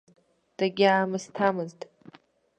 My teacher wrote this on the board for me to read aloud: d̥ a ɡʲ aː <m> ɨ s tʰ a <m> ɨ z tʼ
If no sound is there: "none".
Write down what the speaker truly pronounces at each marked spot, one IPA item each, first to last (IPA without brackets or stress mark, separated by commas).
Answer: m, m